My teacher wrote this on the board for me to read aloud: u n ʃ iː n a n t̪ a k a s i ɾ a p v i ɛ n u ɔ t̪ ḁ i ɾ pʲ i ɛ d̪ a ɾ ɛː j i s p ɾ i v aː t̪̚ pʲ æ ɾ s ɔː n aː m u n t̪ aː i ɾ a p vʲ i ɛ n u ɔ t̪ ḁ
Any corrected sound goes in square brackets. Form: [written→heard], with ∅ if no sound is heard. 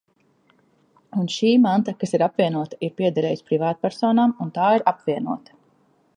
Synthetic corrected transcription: u n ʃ iː [n→m] a n t̪ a k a s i ɾ a p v i ɛ n u ɔ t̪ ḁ i ɾ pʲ i ɛ d̪ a ɾ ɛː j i s p ɾ i v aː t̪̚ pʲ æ ɾ s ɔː n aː m u n t̪ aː i ɾ a p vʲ i ɛ n u ɔ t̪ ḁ